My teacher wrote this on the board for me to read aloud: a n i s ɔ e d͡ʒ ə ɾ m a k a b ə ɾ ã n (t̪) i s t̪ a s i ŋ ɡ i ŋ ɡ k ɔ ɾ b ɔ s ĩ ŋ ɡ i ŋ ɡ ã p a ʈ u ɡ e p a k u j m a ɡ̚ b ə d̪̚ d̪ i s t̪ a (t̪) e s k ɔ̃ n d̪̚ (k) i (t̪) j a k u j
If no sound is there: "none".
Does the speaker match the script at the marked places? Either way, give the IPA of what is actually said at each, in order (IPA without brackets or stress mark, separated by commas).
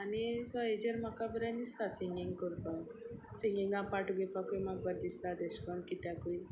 d̪, d̪, k, t̪